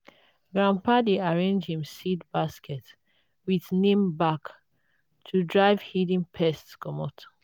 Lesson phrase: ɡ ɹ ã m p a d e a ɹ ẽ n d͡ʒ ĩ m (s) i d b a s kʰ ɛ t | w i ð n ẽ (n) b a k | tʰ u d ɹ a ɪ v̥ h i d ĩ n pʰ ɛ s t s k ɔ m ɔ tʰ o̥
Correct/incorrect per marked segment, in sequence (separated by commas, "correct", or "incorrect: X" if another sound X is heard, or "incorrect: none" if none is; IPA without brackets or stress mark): correct, incorrect: m